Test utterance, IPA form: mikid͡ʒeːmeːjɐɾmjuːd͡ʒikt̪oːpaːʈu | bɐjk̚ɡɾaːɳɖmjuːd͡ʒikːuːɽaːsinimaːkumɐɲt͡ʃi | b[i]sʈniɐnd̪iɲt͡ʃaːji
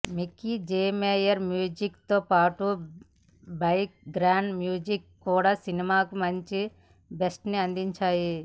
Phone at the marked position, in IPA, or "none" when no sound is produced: e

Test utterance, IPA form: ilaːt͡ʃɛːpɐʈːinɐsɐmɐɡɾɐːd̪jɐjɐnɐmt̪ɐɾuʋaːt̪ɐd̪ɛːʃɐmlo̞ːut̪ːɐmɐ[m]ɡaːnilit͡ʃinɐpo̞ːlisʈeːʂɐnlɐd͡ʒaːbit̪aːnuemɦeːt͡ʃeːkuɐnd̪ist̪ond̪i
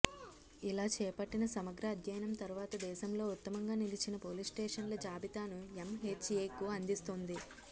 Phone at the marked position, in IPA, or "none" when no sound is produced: ŋ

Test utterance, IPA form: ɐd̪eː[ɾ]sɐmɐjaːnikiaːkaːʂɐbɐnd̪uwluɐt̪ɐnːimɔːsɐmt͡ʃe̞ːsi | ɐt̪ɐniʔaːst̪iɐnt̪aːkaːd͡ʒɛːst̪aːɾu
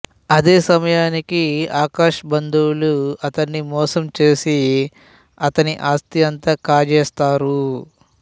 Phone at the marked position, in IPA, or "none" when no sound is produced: none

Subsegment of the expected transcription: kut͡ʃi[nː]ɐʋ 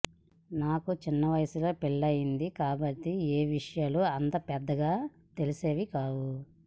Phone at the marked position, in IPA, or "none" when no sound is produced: nː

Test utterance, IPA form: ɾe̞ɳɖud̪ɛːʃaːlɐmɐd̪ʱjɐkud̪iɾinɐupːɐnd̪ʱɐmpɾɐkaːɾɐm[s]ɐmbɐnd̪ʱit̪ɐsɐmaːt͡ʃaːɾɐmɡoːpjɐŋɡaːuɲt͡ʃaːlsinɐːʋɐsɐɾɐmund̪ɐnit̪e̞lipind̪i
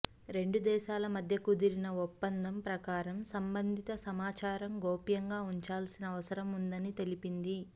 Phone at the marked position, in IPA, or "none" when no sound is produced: s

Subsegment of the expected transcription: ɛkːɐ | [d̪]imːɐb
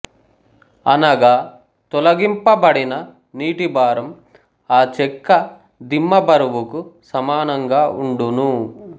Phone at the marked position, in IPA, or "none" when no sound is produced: d̪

